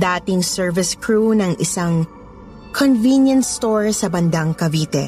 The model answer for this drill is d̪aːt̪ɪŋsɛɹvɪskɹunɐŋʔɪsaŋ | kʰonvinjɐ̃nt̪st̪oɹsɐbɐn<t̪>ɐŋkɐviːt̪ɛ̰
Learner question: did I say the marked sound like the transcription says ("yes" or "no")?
no